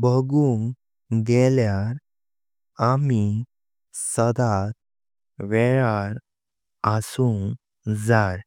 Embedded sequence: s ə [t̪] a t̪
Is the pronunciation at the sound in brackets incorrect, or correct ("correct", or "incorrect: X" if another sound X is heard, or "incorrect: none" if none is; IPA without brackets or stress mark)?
incorrect: d̪